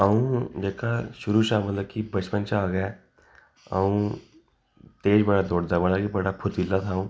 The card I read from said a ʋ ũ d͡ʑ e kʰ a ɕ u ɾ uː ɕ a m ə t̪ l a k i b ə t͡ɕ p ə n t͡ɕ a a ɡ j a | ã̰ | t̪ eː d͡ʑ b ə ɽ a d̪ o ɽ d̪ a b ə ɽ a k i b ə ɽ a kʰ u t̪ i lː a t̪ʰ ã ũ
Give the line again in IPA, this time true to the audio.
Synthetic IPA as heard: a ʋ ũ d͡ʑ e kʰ a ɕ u ɾ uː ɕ a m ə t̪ l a k i b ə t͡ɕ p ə n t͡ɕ a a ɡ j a | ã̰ | t̪ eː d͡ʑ b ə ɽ a d̪ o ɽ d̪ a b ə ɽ a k i b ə ɽ a pʰ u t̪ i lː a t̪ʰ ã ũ